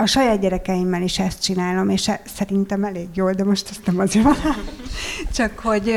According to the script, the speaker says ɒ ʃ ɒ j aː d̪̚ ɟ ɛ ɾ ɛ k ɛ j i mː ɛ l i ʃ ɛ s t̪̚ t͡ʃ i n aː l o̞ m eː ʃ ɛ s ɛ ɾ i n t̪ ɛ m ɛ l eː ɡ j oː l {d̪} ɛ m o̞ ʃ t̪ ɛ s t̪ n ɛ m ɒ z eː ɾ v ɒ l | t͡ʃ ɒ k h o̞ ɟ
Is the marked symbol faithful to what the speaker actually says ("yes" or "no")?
yes